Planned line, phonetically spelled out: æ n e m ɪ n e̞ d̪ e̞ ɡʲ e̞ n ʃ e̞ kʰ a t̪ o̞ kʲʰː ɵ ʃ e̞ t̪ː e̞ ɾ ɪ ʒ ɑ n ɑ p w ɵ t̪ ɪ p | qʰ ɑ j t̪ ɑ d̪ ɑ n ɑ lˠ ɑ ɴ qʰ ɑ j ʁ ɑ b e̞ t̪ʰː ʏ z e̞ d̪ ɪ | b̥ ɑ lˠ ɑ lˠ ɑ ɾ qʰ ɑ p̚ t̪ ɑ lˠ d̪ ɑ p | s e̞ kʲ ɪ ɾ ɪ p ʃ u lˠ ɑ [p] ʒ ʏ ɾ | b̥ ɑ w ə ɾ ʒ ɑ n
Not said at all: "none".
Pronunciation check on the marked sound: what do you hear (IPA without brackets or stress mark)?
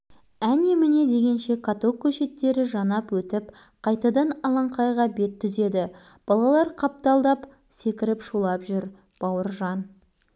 p